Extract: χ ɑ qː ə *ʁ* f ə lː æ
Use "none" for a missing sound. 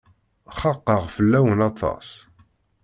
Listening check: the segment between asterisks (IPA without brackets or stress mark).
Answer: ʁ